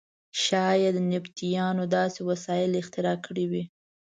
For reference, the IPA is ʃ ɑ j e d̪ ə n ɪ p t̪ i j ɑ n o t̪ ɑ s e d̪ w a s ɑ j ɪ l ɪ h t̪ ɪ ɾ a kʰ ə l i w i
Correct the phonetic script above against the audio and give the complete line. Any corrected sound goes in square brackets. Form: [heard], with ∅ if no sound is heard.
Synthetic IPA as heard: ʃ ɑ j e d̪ ə n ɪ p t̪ i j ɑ n o [d̪] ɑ s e [∅] w a s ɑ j ɪ l ɪ [x] t̪ ɪ ɾ [ɑ] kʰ ə [ɽ] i w i